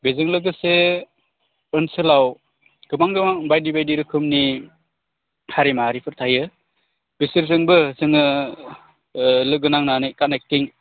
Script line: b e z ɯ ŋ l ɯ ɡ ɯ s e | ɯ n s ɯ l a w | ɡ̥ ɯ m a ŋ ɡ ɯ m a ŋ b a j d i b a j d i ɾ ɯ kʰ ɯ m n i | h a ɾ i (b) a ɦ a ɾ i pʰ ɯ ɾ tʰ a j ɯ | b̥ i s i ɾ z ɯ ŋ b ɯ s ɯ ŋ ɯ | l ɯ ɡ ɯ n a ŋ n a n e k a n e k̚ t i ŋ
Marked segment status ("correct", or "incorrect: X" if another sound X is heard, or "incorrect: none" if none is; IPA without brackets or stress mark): incorrect: m